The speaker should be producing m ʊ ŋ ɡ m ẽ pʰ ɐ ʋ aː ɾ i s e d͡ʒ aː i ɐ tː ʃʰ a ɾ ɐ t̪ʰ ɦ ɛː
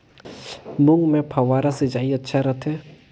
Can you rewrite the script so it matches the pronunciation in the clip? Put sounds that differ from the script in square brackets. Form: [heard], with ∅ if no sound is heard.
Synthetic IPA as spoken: m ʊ ŋ ɡ m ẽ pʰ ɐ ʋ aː ɾ [a] s e d͡ʒ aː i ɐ tː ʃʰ a ɾ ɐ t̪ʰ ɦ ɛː